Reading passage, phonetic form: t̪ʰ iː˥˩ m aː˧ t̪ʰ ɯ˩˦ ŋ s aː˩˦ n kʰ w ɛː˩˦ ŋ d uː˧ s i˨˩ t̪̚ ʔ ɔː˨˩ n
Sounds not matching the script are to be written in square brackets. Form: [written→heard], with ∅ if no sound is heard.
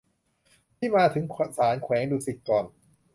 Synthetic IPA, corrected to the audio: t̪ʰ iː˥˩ m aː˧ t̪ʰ ɯ˩˦ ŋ s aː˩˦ n kʰ w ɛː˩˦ ŋ d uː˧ s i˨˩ t̪̚ [ʔ→k] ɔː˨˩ n

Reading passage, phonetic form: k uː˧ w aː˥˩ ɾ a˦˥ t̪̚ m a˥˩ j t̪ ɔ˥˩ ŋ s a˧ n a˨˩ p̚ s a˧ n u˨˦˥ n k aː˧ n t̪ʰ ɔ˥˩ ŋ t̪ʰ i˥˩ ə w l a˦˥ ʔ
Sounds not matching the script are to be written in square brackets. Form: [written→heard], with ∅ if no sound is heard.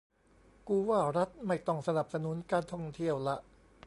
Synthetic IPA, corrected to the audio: k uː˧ w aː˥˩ ɾ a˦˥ t̪̚ m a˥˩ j t̪ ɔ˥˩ ŋ s a˧ n a˨˩ p̚ s a˧ n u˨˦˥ n k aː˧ n t̪ʰ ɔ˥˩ ŋ t̪ʰ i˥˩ ə w l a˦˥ ʔ

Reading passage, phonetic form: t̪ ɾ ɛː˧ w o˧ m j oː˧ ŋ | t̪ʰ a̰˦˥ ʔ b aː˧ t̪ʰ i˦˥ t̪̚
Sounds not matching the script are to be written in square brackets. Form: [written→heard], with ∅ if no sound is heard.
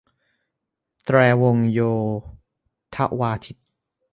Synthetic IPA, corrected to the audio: t̪ ɾ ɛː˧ w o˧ [m→ŋ] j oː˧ [ŋ→∅] | t̪ʰ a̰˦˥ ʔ [b→w] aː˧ t̪ʰ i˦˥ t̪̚

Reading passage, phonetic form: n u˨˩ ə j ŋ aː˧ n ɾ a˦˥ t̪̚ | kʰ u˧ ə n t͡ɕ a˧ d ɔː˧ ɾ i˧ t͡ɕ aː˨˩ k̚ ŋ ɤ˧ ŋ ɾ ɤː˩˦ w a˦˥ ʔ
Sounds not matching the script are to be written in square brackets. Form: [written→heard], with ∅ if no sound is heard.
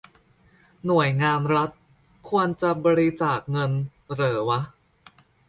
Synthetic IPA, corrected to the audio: n u˨˩ ə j ŋ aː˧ n ɾ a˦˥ t̪̚ | kʰ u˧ ə n t͡ɕ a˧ [d→b] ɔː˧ ɾ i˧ t͡ɕ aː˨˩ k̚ ŋ ɤ˧ [ŋ→n] ɾ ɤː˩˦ w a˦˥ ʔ

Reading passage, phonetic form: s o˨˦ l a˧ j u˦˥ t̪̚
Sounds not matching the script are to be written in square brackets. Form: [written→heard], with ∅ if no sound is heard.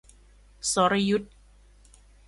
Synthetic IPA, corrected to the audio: s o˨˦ [l→ɾ] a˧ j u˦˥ t̪̚

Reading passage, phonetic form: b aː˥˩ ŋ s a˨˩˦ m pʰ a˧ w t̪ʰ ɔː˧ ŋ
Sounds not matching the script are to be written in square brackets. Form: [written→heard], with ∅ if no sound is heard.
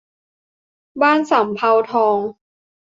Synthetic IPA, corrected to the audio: b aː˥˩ [ŋ→n] s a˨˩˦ m pʰ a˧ w t̪ʰ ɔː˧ ŋ

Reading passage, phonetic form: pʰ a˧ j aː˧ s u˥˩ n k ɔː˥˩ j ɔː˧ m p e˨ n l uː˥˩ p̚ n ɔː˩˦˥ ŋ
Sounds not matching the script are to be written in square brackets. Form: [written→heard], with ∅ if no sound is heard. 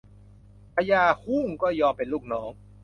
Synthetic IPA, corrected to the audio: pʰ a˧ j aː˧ [s→h] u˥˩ [n→ŋ] k ɔː˥˩ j ɔː˧ m p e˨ n l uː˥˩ [p̚→k̚] n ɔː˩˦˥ ŋ

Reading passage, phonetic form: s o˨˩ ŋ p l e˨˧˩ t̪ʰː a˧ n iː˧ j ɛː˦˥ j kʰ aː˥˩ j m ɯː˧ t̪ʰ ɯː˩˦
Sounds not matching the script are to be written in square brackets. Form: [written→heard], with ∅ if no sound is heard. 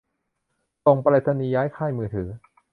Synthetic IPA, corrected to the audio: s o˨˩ ŋ p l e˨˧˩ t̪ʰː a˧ n iː˧ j [ɛː˦˥→aː˦˥] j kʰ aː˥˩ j m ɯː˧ t̪ʰ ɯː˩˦

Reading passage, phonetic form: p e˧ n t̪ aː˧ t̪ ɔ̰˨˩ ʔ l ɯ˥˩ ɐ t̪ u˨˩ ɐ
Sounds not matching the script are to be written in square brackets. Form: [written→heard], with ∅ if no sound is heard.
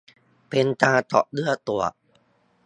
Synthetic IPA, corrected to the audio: p e˧ n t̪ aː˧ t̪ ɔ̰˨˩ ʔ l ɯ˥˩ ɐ t̪ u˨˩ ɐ

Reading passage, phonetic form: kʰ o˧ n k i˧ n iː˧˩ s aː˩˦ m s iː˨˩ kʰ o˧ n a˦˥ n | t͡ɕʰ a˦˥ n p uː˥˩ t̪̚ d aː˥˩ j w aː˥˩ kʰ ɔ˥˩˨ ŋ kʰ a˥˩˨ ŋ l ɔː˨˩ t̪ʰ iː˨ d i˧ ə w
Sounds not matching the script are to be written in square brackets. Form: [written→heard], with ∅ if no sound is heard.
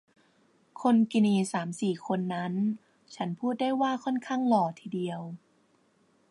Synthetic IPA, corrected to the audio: kʰ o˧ n k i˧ n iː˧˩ s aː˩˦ m s iː˨˩ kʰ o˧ [n→nː] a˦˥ n | t͡ɕʰ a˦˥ n [p→pʰ] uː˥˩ t̪̚ d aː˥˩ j w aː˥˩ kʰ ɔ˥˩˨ [ŋ→n] kʰ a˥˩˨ ŋ l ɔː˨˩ t̪ʰ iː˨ d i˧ ə w

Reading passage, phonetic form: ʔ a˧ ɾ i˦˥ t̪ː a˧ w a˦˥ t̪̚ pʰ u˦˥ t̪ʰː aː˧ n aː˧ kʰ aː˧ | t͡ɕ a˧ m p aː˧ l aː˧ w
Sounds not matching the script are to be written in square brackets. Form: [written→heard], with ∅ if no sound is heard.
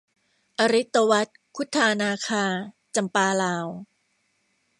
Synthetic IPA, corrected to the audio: ʔ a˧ ɾ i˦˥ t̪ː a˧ w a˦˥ t̪̚ [pʰ→kʰ] u˦˥ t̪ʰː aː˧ n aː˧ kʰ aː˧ | t͡ɕ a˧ m p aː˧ l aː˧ w

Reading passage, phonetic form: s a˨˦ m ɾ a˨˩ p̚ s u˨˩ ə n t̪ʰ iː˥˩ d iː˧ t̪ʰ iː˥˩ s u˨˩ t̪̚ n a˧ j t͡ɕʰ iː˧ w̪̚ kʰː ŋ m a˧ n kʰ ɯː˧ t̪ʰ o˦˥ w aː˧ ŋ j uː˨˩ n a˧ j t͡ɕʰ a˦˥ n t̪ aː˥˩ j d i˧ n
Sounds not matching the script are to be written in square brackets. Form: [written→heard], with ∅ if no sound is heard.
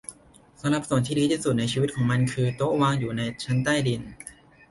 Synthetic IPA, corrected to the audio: s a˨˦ m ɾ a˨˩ p̚ s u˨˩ ə n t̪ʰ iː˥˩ d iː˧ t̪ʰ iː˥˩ s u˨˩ t̪̚ n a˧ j t͡ɕʰ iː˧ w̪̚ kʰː ŋ m a˧ n kʰ ɯː˧ [t̪ʰ→t̪] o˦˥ w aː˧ ŋ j uː˨˩ n a˧ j t͡ɕʰ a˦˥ n t̪ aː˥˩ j d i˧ n

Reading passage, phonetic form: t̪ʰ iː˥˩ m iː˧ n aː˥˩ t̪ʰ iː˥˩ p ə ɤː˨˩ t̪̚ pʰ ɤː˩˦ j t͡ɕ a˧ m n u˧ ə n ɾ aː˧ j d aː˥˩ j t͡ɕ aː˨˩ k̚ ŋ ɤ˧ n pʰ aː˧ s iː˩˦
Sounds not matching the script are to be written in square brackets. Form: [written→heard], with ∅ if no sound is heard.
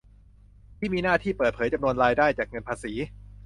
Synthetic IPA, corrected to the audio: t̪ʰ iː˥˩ m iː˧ n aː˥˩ t̪ʰ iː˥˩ p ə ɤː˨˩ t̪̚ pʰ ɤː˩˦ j t͡ɕ a˧ m n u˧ ə n ɾ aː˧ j d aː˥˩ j t͡ɕ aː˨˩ k̚ ŋ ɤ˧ n pʰ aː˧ s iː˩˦

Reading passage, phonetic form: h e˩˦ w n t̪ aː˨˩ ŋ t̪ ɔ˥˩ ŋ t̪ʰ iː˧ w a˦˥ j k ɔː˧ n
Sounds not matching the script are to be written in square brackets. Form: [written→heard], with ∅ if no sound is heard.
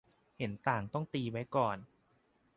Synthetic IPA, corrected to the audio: h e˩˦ [w→∅] n t̪ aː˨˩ ŋ t̪ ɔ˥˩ ŋ [t̪ʰ→t̪] iː˧ w a˦˥ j k [ɔː˧→ɔː˨˩] n

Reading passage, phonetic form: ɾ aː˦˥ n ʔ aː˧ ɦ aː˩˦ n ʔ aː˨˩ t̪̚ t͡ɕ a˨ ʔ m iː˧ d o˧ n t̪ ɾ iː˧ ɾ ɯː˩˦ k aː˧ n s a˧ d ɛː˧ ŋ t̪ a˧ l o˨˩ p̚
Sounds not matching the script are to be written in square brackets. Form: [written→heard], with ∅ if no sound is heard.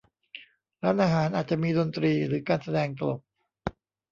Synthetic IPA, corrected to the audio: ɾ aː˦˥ n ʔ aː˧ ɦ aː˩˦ n ʔ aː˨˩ t̪̚ t͡ɕ a˨ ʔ m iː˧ d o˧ n t̪ ɾ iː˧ ɾ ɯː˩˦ k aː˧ n s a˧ d ɛː˧ ŋ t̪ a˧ l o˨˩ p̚

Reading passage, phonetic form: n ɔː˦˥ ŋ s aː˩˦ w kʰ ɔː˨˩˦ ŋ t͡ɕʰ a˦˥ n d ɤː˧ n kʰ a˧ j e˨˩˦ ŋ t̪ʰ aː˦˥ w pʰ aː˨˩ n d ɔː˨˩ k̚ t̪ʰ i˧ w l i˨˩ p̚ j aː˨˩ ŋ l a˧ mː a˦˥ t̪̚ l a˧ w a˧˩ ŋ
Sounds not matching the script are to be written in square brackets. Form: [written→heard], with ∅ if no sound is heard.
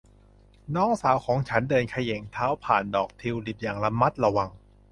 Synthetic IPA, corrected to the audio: n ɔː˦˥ ŋ s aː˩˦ w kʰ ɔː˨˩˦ ŋ t͡ɕʰ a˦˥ n d ɤː˧ n kʰ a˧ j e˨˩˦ ŋ t̪ʰ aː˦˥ w pʰ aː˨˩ n d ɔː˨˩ k̚ t̪ʰ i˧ w l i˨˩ p̚ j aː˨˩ ŋ l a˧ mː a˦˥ t̪̚ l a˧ w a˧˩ ŋ

